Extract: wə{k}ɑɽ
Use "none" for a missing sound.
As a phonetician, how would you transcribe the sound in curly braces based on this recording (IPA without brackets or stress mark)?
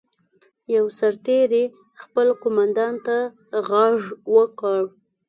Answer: k